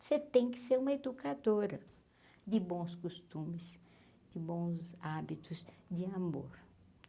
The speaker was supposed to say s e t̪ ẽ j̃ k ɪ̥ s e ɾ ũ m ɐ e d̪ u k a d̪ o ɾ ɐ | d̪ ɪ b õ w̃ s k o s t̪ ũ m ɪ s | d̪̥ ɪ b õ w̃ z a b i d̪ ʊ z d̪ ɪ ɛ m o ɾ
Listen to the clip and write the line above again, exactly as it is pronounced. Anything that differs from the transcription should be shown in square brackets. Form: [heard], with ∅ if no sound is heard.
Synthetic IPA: s e t̪ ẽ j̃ k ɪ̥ s e ɾ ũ m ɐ e d̪ u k a d̪ o ɾ ɐ | d̪ ɪ b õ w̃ s k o s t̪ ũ m ɪ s | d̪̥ ɪ b õ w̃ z a b i [t̪] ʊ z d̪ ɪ [a] m o ɾ